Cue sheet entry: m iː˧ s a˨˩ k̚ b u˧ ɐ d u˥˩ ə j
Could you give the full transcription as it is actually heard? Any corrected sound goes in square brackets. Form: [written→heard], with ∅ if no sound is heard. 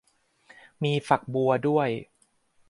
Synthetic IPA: m iː˧ [s→f] a˨˩ k̚ b u˧ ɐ d u˥˩ ə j

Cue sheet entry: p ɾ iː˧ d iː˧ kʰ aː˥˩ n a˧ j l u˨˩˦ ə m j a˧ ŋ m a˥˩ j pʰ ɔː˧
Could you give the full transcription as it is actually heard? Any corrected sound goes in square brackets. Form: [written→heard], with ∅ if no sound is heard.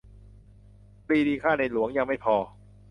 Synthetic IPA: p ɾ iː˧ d iː˧ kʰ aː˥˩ n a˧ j l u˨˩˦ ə [m→ŋ] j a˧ ŋ m a˥˩ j pʰ ɔː˧

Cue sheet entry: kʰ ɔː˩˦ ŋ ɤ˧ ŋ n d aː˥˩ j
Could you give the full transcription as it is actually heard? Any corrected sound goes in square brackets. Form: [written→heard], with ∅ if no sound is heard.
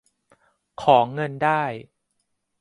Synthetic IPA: kʰ ɔː˩˦ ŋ ɤ˧ [ŋ→∅] n d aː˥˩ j

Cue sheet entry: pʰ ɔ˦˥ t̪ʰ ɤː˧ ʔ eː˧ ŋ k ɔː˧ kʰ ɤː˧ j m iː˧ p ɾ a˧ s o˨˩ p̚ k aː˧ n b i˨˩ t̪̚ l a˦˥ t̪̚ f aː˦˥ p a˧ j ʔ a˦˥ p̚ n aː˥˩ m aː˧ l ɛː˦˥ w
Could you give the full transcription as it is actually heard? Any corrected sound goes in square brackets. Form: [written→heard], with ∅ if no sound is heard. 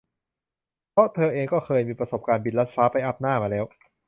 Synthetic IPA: pʰ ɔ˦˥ t̪ʰ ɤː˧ ʔ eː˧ ŋ k [ɔː˧→ɔː˥˩] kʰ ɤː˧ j m iː˧ p ɾ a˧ s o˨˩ p̚ k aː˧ n b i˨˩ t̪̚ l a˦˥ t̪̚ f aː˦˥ p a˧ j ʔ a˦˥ p̚ n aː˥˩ m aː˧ l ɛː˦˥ w

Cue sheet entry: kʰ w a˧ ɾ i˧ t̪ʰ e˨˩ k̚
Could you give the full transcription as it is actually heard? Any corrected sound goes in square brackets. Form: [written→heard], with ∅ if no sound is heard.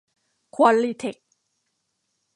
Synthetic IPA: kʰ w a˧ [ɾ→l] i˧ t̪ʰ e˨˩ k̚

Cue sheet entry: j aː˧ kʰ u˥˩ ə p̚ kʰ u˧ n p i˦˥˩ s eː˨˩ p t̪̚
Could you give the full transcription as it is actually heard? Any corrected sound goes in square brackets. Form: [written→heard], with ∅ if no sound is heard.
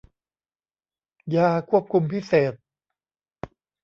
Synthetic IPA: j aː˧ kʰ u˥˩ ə p̚ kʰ u˧ [n→m] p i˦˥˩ s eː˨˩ [p→∅] t̪̚

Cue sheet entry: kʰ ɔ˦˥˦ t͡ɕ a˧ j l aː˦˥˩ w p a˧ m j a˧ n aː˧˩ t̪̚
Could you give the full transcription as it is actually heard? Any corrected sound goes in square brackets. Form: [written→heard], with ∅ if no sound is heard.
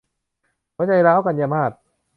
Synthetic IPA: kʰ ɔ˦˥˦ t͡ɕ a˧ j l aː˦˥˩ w [p→k] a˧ [m→n] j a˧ [n→m] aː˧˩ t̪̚

